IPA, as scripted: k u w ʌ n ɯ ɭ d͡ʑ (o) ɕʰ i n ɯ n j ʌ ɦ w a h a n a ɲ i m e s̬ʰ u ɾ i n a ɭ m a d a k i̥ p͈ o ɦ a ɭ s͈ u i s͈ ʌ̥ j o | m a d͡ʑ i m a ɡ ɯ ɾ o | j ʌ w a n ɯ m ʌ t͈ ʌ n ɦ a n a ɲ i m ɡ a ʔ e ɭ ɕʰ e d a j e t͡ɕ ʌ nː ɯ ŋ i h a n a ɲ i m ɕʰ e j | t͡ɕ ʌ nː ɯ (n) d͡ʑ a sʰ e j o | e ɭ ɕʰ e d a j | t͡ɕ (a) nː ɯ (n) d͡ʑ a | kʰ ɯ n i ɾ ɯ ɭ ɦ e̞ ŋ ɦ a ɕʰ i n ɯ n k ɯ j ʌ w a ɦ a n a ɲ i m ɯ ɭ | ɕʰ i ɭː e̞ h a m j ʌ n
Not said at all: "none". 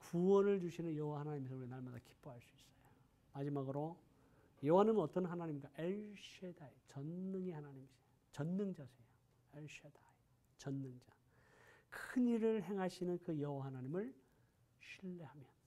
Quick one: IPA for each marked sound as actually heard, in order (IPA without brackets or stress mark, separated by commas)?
u, ŋ, ʌ, ŋ